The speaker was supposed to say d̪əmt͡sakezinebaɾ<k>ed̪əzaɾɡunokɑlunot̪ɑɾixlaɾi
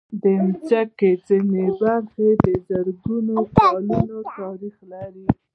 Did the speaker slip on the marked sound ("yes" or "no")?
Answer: yes